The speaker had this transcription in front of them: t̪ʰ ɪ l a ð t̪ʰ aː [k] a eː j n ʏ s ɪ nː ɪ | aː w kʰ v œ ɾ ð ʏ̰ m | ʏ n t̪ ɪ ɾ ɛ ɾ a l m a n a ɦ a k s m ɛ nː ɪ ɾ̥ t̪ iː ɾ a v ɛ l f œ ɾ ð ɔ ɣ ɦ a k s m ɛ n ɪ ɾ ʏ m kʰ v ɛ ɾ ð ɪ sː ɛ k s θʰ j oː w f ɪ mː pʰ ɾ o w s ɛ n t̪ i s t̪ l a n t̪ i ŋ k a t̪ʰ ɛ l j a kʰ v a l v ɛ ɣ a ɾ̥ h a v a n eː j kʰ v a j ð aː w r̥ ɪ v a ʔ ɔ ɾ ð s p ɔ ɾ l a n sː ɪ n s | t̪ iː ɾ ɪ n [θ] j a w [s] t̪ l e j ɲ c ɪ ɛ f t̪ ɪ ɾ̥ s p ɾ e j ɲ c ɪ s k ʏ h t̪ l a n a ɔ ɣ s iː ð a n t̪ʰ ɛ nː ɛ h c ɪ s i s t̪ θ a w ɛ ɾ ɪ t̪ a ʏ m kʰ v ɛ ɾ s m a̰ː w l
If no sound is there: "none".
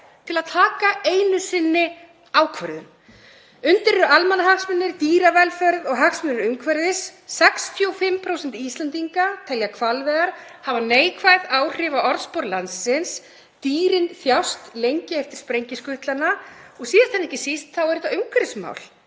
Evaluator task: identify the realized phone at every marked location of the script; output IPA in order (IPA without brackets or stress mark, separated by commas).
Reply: k, θ, s